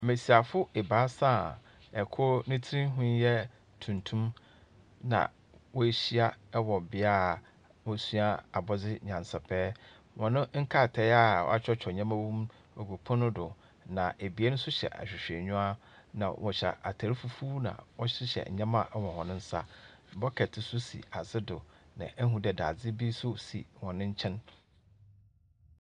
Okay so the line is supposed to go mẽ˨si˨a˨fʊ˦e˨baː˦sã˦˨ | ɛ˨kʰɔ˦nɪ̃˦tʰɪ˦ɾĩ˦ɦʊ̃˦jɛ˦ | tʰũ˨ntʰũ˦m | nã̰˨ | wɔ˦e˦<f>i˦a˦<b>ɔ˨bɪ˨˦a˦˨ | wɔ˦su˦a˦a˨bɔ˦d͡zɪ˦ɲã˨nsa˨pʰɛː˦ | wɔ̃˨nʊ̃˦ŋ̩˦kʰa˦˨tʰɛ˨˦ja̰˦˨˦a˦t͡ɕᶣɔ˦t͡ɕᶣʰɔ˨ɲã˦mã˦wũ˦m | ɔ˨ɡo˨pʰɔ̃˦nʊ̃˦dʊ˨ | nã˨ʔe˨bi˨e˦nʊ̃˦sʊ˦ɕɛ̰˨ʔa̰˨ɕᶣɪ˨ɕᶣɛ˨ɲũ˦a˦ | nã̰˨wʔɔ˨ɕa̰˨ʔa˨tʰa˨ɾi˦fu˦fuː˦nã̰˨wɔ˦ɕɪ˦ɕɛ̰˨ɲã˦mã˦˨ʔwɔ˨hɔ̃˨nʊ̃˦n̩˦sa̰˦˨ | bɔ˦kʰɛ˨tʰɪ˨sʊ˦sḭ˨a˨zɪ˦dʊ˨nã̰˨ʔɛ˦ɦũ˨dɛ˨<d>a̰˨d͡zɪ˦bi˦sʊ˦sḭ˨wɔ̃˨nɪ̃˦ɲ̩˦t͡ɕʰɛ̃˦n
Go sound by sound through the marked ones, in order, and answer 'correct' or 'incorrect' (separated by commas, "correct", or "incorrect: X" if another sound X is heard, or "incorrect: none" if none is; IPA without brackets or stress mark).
incorrect: ɕ, incorrect: w, correct